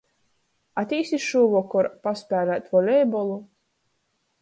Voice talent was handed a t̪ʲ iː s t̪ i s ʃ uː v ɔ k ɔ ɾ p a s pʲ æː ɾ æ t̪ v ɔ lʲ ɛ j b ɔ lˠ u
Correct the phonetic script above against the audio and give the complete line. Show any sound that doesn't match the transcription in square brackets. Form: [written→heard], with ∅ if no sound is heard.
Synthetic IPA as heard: a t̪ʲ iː s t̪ i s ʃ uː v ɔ k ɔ ɾ p a s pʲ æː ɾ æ t̪ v ɔ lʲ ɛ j b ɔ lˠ u